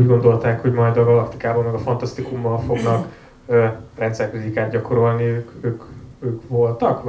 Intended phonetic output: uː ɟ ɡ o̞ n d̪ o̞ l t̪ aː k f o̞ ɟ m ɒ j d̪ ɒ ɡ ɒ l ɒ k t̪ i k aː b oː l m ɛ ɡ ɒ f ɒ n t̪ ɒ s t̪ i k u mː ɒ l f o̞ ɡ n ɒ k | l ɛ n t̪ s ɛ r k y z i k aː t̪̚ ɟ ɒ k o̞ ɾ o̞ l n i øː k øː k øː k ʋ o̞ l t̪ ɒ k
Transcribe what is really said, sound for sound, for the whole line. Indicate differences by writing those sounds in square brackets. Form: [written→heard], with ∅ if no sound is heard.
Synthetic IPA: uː ɟ ɡ o̞ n d̪ o̞ l t̪ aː k [f→h] o̞ ɟ m ɒ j d̪ ɒ ɡ ɒ l ɒ k t̪ i k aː b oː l m ɛ ɡ ɒ f ɒ n t̪ ɒ s t̪ i k u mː ɒ l f o̞ ɡ n ɒ k | [l→r] ɛ n t̪ s ɛ r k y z i k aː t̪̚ ɟ ɒ k o̞ ɾ o̞ l n i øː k øː k øː k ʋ o̞ l t̪ ɒ k